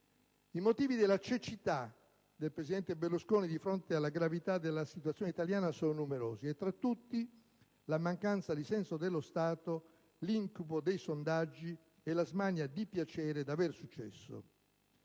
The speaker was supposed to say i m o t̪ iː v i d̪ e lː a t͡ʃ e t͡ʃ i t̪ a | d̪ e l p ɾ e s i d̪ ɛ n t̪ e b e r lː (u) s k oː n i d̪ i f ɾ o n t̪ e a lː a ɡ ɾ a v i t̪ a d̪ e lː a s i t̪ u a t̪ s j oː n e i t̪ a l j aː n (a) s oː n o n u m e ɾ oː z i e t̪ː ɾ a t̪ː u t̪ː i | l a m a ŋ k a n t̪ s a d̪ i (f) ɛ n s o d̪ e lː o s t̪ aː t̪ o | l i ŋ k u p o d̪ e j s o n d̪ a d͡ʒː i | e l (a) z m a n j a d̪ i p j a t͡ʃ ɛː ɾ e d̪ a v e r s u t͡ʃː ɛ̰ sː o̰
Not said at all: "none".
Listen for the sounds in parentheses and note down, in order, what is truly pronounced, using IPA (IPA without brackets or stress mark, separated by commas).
u, a, s, a